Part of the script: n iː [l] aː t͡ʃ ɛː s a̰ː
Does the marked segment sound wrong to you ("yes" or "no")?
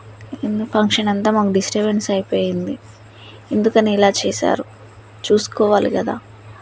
no